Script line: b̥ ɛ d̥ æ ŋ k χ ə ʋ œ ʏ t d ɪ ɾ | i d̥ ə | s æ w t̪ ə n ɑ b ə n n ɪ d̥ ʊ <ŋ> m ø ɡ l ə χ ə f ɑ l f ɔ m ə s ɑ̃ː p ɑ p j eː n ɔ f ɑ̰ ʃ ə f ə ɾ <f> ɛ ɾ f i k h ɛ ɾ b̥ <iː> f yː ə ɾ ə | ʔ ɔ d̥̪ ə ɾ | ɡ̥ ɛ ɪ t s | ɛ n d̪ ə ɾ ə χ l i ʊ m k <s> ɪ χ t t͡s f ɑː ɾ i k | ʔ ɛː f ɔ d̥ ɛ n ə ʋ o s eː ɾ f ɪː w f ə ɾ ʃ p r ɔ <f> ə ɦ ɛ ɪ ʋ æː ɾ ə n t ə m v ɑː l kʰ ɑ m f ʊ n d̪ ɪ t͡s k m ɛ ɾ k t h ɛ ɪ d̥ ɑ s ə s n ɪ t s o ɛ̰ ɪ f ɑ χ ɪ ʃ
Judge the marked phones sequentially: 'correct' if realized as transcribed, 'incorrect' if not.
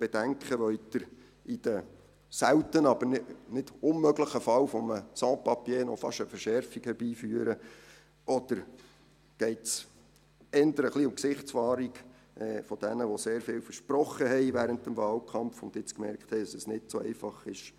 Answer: incorrect: n, incorrect: ʃ, correct, correct, incorrect: χ

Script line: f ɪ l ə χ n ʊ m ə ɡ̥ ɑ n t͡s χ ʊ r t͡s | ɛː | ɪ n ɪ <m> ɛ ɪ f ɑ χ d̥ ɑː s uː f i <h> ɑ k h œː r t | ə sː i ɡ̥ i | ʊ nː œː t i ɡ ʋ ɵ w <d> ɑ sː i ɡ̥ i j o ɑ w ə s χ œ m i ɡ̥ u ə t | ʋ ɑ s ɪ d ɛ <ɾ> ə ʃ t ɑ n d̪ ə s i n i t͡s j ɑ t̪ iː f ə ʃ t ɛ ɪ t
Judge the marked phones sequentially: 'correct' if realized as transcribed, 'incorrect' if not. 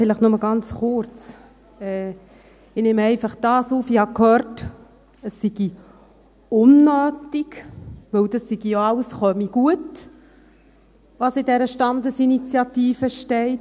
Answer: correct, correct, correct, correct

